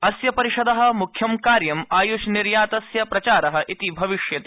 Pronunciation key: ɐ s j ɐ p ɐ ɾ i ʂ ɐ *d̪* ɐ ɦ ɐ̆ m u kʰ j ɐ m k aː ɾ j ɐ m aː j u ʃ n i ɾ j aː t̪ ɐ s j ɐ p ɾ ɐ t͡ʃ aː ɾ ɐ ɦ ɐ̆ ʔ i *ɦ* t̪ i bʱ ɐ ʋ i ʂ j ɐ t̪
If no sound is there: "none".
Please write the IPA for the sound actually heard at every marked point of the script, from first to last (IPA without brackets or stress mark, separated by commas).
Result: d̪, none